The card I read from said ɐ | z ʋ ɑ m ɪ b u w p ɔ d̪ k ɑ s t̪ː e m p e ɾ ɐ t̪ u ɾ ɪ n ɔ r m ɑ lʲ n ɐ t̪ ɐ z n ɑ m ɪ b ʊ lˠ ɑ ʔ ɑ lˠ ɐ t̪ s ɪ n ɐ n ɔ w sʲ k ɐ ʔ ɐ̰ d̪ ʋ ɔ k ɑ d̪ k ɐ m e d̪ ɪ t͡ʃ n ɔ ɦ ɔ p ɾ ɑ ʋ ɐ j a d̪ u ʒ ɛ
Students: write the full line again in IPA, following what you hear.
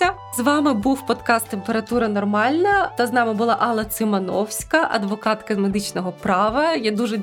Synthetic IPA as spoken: ɐ | z ʋ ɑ m ɪ b u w p ɔ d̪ k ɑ s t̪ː e m p e ɾ ɐ t̪ u ɾ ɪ n ɔ r m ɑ lʲ n ɐ t̪ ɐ z n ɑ m ɪ b ʊ lˠ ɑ ʔ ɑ lˠ ɐ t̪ s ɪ m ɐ n ɔ w sʲ k ɐ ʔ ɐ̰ d̪ ʋ ɔ k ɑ t̪ k ɐ m e d̪ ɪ t͡ʃ n ɔ ɦ ɔ p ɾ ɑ ʋ ɐ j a d̪ u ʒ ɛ